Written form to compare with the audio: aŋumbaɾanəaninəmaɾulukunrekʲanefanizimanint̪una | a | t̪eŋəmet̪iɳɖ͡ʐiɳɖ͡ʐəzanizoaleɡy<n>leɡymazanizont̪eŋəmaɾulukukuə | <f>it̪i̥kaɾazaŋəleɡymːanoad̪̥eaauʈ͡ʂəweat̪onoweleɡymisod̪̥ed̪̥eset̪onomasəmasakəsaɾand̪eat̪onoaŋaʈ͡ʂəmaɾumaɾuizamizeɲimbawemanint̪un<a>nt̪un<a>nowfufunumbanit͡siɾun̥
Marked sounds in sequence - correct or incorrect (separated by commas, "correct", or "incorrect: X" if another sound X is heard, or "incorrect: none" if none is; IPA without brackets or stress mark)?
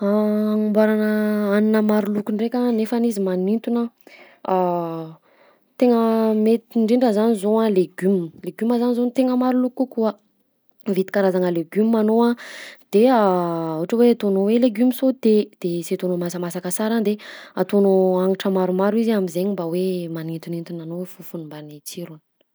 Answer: incorrect: m, incorrect: v, incorrect: i, correct